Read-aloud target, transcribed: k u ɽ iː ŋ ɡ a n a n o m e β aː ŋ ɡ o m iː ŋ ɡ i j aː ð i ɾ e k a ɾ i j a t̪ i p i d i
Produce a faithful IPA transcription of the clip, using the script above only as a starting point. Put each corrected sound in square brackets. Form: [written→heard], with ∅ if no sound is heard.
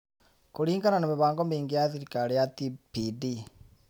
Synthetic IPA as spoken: k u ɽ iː ŋ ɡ a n a n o m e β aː ŋ ɡ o m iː ŋ ɡ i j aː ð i ɾ [e→i] k a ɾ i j a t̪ i p i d i

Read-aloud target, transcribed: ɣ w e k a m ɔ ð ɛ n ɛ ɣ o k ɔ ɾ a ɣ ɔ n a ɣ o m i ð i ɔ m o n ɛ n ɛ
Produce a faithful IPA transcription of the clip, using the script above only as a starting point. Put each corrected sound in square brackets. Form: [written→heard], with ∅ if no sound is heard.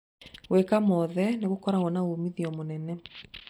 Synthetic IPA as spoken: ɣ w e k a m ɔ ð ɛ n [ɛ→e] ɣ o k ɔ ɾ a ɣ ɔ n a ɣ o m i ð i ɔ m o n ɛ n ɛ

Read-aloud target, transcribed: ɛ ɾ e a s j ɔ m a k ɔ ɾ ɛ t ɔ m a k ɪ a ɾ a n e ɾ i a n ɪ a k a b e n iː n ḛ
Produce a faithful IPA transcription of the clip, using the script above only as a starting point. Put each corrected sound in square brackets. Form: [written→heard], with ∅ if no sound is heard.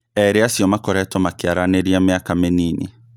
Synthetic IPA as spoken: ɛ ɾ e a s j ɔ m a k ɔ ɾ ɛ t ɔ m a k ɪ a ɾ a n e ɾ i a [n→m] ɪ a k a [b→m] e n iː n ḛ

